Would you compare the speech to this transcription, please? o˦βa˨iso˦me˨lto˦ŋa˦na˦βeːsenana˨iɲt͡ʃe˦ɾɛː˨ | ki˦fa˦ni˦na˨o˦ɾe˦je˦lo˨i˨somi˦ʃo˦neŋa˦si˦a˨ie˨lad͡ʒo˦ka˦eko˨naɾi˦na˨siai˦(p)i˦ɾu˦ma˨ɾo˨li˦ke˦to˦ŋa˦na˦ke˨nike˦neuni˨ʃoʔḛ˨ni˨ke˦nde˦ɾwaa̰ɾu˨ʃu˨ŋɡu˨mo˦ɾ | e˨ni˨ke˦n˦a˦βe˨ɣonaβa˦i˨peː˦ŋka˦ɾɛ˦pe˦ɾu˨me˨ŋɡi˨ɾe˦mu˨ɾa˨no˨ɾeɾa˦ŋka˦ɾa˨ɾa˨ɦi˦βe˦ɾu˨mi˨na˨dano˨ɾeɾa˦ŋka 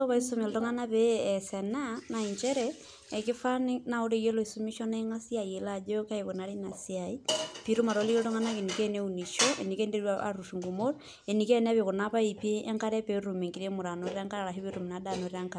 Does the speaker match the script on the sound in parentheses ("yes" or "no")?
yes